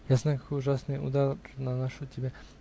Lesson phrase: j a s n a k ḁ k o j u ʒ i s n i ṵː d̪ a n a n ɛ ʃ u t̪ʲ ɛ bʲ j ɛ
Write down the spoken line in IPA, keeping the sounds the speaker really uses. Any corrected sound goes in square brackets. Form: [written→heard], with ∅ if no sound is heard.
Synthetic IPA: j a s n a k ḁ k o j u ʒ [i→a] s n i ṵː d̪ a n a n [ɛ→a] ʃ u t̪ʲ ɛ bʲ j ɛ